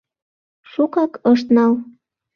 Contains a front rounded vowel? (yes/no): no